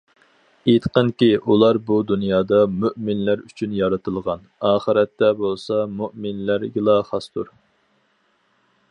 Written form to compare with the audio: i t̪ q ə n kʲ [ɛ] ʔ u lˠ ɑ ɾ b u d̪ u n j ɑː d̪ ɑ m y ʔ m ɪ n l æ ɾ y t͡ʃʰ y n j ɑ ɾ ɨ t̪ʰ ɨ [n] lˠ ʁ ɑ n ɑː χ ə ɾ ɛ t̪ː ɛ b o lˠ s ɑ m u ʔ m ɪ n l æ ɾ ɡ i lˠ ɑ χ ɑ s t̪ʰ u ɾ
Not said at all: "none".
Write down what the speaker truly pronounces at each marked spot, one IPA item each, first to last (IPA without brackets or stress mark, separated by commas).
i, none